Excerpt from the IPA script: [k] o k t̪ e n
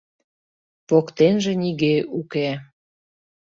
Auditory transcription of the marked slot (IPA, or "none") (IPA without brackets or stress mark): p